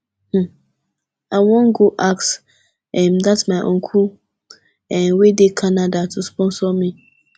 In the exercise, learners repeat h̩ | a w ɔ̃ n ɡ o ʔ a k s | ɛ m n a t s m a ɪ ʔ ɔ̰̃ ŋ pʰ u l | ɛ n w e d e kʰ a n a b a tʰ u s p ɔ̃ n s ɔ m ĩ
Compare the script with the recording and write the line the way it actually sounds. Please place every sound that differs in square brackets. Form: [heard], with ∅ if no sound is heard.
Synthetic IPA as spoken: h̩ | a w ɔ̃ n ɡ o ʔ a k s | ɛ m [d] a t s m a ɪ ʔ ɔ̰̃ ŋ [kʰ] u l | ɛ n w e d e kʰ a n a [d] a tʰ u s p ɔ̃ n s ɔ m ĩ